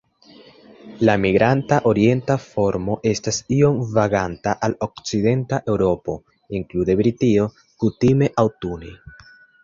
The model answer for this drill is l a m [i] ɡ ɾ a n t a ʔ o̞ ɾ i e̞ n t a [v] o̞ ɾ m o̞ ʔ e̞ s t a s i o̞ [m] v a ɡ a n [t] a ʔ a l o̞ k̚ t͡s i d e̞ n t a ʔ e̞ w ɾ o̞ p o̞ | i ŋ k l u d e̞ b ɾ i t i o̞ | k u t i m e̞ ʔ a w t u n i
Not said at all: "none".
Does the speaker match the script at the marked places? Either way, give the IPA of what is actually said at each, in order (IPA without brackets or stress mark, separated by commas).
i, f, m, t